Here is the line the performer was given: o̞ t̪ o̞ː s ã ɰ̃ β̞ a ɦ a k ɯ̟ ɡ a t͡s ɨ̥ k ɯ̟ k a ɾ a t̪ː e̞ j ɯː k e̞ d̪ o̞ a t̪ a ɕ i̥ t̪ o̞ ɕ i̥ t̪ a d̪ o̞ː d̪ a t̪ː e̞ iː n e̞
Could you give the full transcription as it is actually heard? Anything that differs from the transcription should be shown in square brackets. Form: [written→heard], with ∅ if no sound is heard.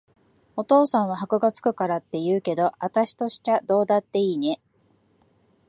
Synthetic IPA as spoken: o̞ t̪ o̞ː s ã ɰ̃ β̞ a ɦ a k ɯ̟ ɡ a t͡s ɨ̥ k ɯ̟ k a ɾ a t̪ː e̞ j ɯː k e̞ d̪ o̞ a t̪ a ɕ i̥ t̪ o̞ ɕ i̥ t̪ a d̪ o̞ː d̪ a t̪ː e̞ iː n e̞